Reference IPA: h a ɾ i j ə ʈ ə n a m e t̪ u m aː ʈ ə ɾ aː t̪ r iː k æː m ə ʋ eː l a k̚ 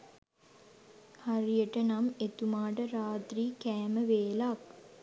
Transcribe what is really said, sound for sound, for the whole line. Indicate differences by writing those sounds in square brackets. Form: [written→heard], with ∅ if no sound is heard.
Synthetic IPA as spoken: h a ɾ i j ə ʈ ə n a m e t̪ u m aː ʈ ə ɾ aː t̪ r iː k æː m ə ʋ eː l a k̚